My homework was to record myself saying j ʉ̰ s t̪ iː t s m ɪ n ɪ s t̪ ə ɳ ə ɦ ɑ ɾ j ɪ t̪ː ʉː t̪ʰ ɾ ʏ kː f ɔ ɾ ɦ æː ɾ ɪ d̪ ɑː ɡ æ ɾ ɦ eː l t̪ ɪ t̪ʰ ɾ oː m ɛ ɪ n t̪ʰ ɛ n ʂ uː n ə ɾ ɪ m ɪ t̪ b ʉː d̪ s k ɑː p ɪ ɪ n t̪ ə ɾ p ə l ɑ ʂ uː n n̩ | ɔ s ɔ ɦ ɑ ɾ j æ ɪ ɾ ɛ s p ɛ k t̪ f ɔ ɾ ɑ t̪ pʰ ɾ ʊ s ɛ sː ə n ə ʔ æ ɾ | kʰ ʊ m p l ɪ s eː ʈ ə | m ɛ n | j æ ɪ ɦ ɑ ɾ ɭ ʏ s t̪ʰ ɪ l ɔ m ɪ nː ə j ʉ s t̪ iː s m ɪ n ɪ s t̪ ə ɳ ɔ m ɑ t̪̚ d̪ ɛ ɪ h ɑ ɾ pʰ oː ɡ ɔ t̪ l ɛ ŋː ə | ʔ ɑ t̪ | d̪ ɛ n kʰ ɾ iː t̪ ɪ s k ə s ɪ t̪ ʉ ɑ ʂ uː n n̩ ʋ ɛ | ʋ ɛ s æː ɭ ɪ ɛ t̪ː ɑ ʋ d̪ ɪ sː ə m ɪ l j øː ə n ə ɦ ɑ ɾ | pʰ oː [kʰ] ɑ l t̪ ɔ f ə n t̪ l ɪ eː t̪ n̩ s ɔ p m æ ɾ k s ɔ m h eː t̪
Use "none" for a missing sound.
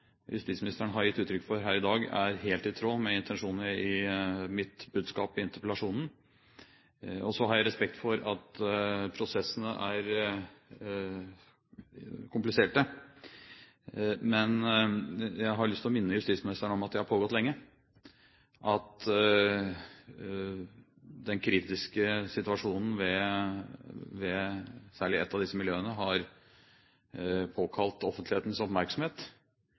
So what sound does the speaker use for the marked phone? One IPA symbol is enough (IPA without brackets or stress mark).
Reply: kʰ